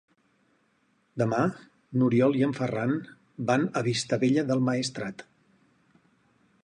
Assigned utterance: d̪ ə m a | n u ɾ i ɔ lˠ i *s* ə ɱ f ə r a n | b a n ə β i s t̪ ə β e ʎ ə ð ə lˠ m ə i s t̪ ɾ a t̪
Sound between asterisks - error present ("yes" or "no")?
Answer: yes